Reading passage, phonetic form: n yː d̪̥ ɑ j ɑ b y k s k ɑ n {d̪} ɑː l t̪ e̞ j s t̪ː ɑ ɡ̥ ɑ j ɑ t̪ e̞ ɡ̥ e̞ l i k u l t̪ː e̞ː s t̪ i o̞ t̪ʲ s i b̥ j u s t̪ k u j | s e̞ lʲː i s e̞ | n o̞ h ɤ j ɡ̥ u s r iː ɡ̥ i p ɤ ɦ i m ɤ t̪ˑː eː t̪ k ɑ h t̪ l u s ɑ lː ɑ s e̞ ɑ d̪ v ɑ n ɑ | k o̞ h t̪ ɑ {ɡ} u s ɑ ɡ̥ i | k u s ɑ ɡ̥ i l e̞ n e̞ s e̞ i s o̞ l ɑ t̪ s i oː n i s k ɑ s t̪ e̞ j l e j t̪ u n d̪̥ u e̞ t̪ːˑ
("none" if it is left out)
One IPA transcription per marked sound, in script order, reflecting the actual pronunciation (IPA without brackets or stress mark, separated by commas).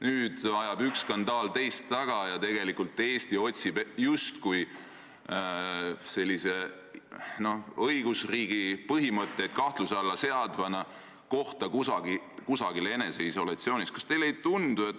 d̪, k